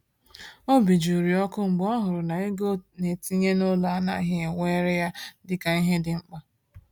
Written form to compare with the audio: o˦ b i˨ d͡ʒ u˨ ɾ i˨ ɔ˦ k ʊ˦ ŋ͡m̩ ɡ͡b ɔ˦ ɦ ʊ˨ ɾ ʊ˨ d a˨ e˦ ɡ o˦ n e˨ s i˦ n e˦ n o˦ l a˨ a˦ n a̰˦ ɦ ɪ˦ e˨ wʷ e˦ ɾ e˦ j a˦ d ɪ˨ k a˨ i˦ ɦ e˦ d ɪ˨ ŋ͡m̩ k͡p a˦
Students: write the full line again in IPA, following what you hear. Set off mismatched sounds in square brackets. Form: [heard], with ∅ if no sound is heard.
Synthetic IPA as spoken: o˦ b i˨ d͡ʒ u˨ ɾ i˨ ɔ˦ k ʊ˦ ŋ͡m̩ ɡ͡b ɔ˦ ɦ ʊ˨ ɾ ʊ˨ [n] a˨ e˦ ɡ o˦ n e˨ [t] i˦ [ɲ] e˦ n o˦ l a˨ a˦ n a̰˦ ɦ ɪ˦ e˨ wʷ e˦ ɾ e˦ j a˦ d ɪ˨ k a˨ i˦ ɦ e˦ d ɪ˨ ŋ͡m̩ k͡p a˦